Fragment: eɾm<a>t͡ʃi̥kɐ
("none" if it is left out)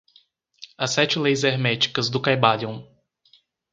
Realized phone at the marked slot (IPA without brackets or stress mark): ɛ